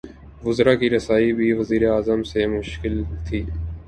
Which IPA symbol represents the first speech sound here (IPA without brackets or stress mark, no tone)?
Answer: ʋ